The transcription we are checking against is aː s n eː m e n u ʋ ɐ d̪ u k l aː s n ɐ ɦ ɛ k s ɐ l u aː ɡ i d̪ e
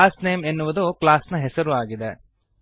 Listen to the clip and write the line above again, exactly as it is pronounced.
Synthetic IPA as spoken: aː s n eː m e nː u ʋ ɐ d̪ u k l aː s n ɐ ɦ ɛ s ɐ ɾ u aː ɡ i d̪ e

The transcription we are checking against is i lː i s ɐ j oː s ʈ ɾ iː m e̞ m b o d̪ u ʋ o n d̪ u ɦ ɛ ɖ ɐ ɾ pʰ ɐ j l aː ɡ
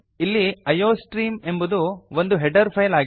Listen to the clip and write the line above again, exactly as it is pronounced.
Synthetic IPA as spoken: i lː i ɐ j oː s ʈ ɾ iː m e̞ m b u d̪ u ʋ o n d̪ u ɦ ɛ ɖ ɐ ɾ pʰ ɐ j l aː ɡ

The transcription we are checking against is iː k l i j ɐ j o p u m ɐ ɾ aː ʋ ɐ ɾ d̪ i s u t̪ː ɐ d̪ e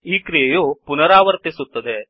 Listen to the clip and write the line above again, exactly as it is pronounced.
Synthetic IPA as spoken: iː k ɾ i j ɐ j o p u n ɐ ɾ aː ʋ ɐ ɾ t̪ i s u t̪ː ɐ d̪ e

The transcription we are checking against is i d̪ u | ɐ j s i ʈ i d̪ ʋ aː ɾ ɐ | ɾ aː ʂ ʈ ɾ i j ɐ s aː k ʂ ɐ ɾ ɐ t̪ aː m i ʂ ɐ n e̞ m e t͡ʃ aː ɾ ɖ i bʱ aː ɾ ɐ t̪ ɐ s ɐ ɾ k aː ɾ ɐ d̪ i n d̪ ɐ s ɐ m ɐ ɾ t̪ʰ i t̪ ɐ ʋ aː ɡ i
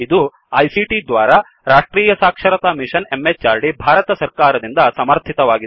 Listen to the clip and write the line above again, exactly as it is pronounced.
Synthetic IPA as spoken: i d̪ u | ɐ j s i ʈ i d̪ ʋ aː ɾ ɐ | ɾ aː ʂ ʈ ɾ iː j ɐ s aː k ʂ ɐ ɾ ɐ t̪ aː m i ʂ ɐ n e̞ m e t͡ʃ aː ɾ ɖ i bʱ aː ɾ ɐ t̪ ɐ s ɐ ɾ k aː ɾ ɐ d̪ i n d̪ ɐ s ɐ m ɐ ɾ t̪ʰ i t̪ ɐ ʋ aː ɡ i

